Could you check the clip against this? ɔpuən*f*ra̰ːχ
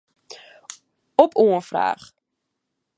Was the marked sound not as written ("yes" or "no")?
no